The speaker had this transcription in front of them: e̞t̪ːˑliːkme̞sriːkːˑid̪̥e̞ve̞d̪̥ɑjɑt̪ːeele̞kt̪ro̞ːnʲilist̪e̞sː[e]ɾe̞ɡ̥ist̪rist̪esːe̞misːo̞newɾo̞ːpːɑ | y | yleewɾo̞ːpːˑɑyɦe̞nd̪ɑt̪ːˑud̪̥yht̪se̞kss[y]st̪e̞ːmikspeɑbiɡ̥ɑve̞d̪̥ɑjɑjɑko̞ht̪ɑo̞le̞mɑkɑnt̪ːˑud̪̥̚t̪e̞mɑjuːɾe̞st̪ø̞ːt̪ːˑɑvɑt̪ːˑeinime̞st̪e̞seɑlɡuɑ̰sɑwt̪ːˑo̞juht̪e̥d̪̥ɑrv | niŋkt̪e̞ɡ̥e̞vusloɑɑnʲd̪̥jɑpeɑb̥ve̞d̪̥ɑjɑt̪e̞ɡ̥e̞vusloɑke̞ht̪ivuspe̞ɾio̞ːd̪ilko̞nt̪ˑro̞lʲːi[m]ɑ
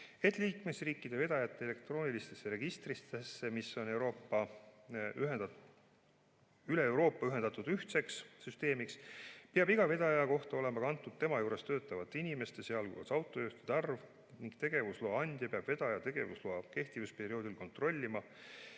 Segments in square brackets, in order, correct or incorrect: correct, correct, correct

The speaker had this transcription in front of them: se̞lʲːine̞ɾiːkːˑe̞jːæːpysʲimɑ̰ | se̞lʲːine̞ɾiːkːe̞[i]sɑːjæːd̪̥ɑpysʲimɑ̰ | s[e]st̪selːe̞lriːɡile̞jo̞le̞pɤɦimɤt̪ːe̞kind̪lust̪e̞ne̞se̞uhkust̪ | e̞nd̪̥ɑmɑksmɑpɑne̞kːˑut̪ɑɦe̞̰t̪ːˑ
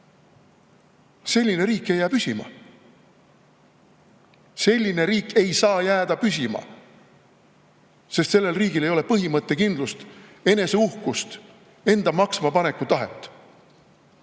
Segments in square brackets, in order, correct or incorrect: incorrect: j, correct

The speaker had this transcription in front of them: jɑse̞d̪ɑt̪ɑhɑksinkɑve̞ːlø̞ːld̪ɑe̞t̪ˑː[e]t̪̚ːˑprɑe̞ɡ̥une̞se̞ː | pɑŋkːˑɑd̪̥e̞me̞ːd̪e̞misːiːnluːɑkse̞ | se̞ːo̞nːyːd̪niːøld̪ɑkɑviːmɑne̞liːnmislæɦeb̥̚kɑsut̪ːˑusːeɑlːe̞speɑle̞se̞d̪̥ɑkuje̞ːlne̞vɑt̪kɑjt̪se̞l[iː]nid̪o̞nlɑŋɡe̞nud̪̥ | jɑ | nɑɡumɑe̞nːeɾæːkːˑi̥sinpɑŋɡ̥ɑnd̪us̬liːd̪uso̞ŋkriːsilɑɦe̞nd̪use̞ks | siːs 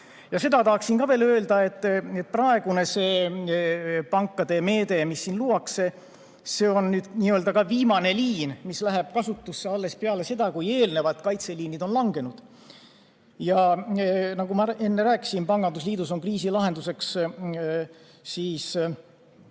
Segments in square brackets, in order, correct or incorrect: correct, correct

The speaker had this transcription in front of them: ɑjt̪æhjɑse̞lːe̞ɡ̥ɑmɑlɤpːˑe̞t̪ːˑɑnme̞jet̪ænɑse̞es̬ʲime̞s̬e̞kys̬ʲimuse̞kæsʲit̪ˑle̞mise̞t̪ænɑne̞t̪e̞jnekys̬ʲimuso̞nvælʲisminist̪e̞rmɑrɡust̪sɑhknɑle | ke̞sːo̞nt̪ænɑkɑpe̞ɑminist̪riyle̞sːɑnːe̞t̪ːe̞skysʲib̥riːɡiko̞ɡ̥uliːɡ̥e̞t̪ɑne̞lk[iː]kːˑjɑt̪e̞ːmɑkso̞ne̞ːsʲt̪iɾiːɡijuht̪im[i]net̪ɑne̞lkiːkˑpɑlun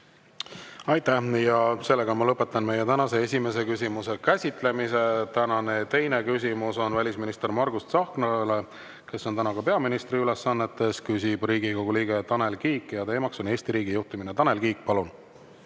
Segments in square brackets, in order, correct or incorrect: correct, correct

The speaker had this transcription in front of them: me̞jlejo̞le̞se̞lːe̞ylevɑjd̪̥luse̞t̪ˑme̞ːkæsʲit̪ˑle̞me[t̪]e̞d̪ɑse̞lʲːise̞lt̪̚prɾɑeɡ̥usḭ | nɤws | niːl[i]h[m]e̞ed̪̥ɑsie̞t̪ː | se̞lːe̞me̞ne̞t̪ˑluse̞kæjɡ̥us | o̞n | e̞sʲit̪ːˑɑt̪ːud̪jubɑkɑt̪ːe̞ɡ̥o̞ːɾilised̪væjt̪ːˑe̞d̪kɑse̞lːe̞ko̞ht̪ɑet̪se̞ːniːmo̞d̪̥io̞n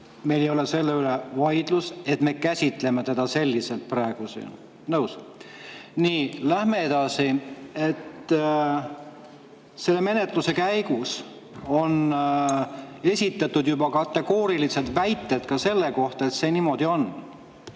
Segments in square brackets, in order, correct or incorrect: correct, incorrect: æ, correct

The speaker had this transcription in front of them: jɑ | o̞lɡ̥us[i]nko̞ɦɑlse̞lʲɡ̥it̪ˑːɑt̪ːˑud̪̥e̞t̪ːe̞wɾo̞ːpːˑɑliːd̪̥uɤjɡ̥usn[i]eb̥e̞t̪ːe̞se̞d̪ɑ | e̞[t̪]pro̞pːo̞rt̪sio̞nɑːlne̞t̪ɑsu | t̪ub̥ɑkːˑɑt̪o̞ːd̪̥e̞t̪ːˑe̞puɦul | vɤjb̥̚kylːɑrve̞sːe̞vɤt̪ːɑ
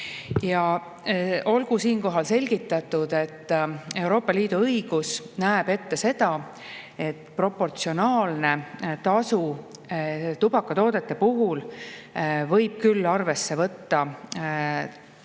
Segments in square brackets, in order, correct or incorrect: incorrect: iː, incorrect: æ, correct

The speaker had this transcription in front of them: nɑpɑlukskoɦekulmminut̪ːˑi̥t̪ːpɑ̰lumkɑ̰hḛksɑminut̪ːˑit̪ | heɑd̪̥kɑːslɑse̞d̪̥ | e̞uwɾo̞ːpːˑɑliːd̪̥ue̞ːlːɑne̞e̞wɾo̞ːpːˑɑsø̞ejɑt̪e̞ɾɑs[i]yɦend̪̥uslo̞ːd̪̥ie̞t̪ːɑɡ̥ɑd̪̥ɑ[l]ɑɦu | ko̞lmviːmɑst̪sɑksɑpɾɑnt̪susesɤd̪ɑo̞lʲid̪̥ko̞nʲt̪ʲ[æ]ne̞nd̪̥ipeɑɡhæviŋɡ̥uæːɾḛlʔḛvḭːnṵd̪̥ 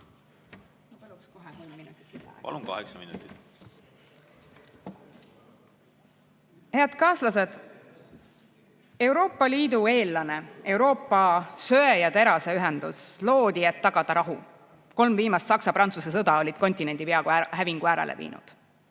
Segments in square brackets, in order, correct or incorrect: incorrect: e, incorrect: ɾ, incorrect: i

